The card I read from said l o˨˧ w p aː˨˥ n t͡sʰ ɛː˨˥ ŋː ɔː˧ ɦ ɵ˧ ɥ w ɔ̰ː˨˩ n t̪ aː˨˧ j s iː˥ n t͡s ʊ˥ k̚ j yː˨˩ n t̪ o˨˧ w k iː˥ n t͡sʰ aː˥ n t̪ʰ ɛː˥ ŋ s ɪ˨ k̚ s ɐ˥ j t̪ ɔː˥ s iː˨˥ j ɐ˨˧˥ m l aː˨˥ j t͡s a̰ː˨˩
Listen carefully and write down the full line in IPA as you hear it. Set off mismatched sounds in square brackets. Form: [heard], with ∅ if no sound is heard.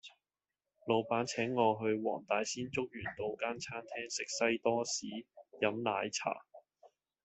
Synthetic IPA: l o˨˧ w p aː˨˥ n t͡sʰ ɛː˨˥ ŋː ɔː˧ ɦ ɵ˧ ɥ w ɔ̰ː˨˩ [ŋ] t̪ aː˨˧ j s iː˥ n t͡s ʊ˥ k̚ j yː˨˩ n t̪ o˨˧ w k [aː˥] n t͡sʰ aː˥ n t̪ʰ ɛː˥ ŋ s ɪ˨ k̚ s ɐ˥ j t̪ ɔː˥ s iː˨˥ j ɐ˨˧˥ m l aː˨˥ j [t͡sʰ] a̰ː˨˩